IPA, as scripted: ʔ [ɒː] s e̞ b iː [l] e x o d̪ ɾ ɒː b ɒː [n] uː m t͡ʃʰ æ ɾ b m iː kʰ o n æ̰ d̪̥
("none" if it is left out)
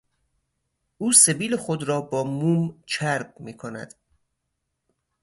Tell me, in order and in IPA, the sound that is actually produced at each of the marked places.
uː, l, m

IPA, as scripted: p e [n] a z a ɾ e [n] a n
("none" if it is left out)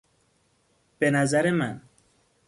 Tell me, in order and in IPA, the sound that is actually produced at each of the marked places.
n, m

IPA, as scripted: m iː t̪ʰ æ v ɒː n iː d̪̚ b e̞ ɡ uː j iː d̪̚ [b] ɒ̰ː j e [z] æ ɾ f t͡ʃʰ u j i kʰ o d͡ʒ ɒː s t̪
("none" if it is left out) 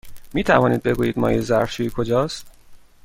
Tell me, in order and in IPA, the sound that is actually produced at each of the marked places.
m, z

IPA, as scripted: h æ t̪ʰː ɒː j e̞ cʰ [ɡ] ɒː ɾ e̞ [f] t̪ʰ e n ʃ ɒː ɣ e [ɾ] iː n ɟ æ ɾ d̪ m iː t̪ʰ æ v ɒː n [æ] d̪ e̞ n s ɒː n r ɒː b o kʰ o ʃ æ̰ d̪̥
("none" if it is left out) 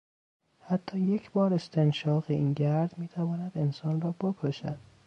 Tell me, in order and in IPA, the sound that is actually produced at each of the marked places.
b, s, none, æ

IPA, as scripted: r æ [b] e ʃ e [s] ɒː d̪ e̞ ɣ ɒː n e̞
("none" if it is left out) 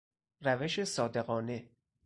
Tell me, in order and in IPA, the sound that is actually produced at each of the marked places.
v, s

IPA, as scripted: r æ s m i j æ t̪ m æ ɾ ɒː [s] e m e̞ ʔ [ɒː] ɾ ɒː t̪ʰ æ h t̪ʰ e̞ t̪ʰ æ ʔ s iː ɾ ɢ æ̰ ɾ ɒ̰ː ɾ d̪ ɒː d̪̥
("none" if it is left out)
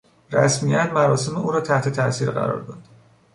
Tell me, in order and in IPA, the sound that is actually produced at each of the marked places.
s, uː

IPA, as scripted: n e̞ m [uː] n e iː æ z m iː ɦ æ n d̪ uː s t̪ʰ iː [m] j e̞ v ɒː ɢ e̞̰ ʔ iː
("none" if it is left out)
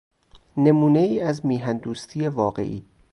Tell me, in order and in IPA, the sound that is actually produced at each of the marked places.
uː, none

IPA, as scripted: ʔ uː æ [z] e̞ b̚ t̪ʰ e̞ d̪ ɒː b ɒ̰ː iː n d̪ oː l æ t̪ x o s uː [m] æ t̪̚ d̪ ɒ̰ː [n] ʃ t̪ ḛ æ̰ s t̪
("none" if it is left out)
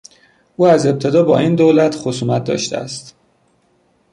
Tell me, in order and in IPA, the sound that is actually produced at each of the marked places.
z, m, none

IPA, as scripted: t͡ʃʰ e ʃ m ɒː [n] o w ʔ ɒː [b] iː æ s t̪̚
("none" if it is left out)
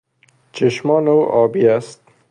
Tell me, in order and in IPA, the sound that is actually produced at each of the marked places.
n, b

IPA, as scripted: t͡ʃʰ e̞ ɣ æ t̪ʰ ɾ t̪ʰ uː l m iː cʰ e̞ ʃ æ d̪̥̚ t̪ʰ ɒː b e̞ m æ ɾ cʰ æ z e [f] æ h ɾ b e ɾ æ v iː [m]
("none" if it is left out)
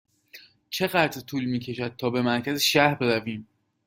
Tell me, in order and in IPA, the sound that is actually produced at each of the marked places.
ʃ, m

